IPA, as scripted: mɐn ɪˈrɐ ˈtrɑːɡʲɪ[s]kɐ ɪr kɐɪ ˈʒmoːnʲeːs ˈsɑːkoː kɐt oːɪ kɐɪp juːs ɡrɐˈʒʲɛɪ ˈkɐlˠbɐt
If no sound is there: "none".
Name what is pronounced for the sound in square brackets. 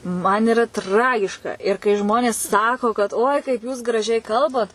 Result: ʃ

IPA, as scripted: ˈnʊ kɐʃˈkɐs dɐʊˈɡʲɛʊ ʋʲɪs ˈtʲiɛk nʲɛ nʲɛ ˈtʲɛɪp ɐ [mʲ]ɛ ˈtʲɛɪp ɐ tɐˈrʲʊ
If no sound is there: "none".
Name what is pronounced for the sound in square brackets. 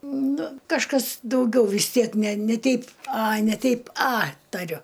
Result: nʲ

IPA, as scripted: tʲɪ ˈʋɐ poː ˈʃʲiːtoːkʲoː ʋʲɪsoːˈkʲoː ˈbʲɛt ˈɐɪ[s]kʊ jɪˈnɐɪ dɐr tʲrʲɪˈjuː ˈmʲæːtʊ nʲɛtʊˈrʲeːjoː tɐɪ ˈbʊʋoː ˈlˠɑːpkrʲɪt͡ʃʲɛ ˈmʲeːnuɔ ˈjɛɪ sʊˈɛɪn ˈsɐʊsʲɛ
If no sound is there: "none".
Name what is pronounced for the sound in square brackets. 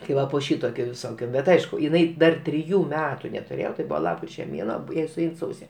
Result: ʃ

